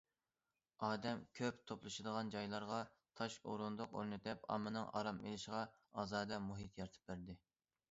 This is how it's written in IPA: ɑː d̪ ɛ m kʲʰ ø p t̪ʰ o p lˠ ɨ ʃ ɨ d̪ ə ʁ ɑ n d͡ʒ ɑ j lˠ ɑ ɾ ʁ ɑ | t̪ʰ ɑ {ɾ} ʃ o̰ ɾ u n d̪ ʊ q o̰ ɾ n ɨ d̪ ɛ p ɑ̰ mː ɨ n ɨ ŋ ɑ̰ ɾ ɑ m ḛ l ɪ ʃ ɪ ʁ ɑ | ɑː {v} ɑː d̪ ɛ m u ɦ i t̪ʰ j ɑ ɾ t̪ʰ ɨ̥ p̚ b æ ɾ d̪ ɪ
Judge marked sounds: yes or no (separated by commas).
no, no